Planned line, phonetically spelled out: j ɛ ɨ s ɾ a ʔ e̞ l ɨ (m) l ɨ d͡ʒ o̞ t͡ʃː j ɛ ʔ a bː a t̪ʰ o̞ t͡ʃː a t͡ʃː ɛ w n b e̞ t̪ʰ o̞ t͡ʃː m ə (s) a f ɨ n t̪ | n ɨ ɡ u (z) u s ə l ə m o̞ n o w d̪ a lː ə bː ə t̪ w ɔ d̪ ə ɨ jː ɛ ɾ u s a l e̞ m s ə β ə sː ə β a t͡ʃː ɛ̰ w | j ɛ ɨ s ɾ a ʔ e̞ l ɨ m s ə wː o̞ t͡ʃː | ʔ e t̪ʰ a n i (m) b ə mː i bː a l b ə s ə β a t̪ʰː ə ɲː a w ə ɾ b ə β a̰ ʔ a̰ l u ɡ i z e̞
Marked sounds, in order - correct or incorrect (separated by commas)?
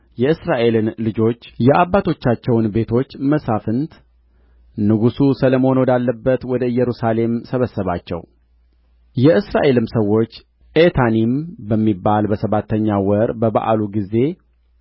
incorrect, correct, incorrect, correct